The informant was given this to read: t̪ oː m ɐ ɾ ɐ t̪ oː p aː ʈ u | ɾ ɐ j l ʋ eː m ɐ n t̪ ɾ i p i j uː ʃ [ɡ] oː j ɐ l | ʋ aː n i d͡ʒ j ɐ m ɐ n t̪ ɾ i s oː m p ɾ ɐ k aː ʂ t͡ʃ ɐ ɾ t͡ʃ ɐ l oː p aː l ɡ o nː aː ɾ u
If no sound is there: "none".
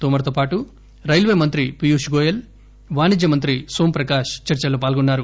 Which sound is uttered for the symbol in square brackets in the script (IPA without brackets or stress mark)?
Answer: ɡ